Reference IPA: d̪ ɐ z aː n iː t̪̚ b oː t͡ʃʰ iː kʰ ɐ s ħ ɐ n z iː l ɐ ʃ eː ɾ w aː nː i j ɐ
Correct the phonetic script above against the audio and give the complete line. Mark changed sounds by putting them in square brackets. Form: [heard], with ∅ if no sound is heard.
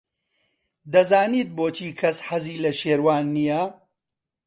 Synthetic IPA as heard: d̪ ɐ z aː n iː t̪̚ b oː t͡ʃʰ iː kʰ ɐ s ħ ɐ [∅] z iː l ɐ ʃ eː ɾ w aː nː i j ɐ